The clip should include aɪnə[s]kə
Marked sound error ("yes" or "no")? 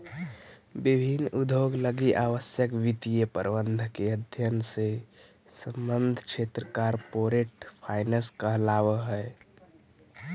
no